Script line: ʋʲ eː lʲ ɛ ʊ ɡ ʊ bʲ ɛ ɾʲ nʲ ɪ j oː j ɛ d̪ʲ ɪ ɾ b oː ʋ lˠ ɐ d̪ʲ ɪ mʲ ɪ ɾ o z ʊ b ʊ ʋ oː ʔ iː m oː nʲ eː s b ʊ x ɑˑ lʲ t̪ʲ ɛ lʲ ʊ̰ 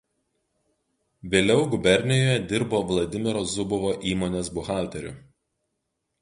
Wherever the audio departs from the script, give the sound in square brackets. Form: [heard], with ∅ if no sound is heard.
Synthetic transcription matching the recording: ʋʲ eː lʲ ɛ ʊ ɡ ʊ bʲ ɛ ɾʲ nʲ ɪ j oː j ɛ d̪ʲ ɪ ɾ b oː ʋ lˠ ɐ d̪ʲ ɪ mʲ ɪ ɾ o z ʊ b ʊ ʋ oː ʔ iː m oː nʲ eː s b ʊ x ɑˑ lʲ t̪ʲ ɛ [ɾʲ] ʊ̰